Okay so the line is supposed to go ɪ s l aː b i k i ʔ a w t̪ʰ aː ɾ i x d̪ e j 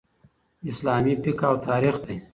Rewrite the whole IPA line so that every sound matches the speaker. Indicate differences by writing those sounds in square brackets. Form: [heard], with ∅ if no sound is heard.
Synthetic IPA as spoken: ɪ s l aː [m] i [p] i [k] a w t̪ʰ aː ɾ i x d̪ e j